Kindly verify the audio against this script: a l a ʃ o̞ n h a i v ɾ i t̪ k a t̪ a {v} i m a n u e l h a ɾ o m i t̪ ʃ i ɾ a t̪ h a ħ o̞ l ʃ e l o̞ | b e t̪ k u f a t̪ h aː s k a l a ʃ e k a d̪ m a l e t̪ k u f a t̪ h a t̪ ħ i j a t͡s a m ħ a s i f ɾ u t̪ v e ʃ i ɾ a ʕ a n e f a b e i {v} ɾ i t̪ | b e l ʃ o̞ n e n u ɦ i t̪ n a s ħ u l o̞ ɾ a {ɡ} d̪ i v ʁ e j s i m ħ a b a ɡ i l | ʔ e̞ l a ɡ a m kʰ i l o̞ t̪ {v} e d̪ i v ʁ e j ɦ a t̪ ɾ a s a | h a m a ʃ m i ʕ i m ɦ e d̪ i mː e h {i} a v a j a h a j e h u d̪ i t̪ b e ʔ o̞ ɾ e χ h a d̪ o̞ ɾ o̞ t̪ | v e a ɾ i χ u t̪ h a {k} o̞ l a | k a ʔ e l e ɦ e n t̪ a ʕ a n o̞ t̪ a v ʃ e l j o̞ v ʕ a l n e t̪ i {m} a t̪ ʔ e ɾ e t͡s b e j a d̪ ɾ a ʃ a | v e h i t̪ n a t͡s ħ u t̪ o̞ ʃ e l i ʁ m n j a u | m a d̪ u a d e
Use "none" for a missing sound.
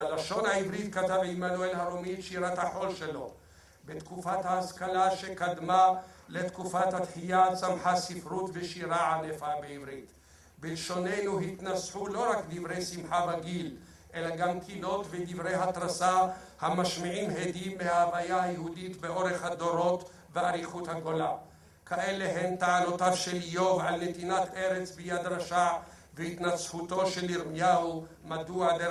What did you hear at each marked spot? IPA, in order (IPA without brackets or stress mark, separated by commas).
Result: v, v, k, v, a, ɡ, n